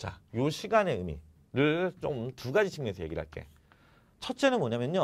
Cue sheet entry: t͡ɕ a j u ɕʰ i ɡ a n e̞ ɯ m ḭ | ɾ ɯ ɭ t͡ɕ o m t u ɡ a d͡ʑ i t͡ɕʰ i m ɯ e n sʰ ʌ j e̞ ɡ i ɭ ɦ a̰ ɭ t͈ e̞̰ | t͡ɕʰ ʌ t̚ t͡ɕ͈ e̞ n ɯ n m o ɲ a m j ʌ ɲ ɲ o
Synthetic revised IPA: t͡ɕ a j o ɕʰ i ɡ a n e̞ ɯ m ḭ | ɾ ɯ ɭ t͡ɕ o m t u ɡ a d͡ʑ i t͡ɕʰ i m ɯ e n sʰ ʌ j e̞ ɡ i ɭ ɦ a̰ ɭ k͈ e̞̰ | t͡ɕʰ ʌ t̚ t͡ɕ͈ e̞ n ɯ n m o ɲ a m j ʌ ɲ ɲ o